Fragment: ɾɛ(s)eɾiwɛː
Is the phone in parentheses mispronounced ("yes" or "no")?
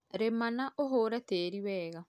yes